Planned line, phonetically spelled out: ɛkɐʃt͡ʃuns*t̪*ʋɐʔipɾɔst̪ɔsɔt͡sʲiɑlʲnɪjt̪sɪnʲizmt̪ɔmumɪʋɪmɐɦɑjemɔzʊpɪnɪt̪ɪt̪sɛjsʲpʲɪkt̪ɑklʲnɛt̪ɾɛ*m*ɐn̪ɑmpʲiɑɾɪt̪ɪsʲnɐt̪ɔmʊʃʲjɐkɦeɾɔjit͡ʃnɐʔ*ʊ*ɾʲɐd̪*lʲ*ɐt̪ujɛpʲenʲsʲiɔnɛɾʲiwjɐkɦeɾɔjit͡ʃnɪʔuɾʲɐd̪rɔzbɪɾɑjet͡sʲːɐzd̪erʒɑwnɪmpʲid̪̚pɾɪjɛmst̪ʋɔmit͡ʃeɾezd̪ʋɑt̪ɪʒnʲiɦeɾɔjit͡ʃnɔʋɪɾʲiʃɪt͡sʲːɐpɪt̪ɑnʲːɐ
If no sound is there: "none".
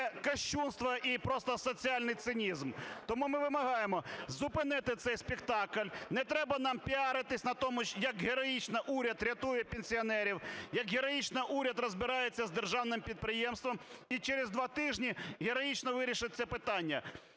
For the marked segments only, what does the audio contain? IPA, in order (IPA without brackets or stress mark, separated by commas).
t̪, b, u, ɾʲ